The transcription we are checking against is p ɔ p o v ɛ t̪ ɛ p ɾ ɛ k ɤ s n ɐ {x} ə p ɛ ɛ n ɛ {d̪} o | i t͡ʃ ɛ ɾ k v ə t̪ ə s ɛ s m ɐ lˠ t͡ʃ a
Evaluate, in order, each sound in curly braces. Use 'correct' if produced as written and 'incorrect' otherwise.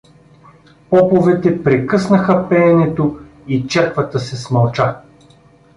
correct, incorrect: t̪

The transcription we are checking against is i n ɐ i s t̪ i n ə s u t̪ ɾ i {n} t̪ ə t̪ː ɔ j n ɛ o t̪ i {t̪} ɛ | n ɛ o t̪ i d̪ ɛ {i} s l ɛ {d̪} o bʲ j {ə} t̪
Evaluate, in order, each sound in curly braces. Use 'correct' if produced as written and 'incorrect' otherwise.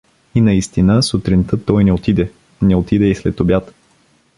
correct, incorrect: d̪, correct, incorrect: t̪, incorrect: a

